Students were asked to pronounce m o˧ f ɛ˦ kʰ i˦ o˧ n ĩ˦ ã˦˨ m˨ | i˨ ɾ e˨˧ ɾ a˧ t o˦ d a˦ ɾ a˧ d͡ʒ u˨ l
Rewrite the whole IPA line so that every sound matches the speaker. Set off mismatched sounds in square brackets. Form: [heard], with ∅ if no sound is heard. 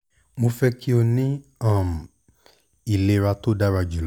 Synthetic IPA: m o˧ f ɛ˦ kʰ i˦ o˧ n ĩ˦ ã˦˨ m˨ | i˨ [l] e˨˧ ɾ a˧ t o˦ d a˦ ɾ a˧ d͡ʒ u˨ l